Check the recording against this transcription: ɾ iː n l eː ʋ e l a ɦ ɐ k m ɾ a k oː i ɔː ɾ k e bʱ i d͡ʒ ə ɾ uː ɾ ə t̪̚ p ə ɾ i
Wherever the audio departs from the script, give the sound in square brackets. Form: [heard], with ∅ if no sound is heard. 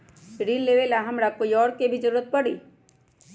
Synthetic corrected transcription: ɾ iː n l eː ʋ e l a ɦ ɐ [∅] m ɾ a k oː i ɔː ɾ k e bʱ i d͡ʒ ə ɾ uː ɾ ə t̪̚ p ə [ɽ] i